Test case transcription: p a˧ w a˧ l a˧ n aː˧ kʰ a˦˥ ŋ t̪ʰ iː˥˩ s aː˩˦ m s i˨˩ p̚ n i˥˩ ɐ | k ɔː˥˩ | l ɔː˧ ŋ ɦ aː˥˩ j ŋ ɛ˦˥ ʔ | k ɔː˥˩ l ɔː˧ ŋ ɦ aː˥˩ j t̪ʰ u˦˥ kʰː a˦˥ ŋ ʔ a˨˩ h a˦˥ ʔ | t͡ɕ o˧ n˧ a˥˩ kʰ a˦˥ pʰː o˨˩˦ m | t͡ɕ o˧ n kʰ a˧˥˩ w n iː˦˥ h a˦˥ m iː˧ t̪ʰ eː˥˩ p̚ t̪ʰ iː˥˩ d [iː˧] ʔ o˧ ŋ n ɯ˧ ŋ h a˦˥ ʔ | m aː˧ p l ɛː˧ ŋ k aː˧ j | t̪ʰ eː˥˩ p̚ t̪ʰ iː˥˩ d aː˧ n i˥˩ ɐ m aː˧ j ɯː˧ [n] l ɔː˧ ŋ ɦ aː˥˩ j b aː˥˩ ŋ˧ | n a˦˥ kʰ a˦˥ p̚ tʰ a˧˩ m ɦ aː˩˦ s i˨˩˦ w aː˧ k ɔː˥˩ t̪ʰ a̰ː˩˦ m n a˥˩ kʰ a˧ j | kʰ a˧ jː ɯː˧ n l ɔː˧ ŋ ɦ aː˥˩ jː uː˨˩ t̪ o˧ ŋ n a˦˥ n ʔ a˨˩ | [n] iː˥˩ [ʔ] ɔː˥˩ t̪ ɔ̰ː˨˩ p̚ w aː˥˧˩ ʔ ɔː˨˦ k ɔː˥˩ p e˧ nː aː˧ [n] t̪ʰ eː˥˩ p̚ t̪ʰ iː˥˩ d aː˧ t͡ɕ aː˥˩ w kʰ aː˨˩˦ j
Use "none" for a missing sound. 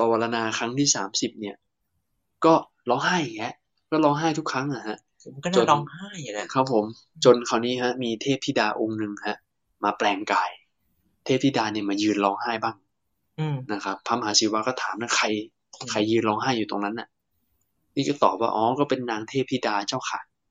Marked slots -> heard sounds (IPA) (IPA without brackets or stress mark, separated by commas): aː˧, n, n, k, ŋ